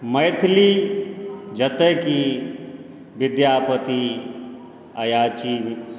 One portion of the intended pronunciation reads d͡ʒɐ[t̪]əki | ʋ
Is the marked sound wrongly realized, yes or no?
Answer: no